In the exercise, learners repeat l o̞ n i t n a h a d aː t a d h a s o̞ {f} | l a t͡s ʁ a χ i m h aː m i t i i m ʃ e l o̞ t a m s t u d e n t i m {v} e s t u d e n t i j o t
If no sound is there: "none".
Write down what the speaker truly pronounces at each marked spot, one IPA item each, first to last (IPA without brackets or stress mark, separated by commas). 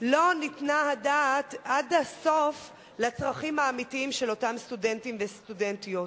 f, v